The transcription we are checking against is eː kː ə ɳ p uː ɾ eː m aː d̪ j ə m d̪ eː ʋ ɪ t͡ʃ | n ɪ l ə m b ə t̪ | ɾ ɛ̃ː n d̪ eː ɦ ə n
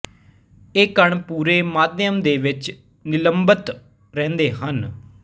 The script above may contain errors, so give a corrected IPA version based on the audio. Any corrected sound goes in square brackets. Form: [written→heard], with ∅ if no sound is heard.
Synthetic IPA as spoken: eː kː ə ɳ p uː ɾ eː m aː d̪ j ə m d̪ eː ʋ ɪ t͡ʃ | n ɪ l ə m b ə t̪ | ɾ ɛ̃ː n d̪ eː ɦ ə n

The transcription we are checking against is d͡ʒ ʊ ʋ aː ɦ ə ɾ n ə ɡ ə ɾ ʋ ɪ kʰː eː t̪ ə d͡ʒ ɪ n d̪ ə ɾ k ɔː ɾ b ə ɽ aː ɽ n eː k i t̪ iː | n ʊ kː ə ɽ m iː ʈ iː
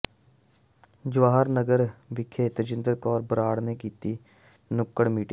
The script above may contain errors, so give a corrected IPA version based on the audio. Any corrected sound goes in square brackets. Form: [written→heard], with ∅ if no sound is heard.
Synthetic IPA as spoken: d͡ʒ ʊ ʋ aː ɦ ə ɾ n ə ɡ ə ɾ ʋ ɪ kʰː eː t̪ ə d͡ʒ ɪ n d̪ ə ɾ k ɔː ɾ b ə [ɽ→ɾ] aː ɽ n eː k [i→iː] t̪ iː | n ʊ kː ə ɽ m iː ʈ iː

